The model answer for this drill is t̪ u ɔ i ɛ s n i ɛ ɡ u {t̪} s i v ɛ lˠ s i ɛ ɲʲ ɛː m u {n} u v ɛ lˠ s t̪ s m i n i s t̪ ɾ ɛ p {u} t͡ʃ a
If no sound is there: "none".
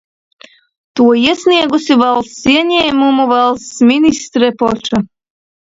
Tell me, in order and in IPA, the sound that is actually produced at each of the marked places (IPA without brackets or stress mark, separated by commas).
none, m, ɔ